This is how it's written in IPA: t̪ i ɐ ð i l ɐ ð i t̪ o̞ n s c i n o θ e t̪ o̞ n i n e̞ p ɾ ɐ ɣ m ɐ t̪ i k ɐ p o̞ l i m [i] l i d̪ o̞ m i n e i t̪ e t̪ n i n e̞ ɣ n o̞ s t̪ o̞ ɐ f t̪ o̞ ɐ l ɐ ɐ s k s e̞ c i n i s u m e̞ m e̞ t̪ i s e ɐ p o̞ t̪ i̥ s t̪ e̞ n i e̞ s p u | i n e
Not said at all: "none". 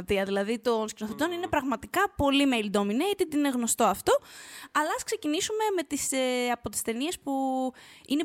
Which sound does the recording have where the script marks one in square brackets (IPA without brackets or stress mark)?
e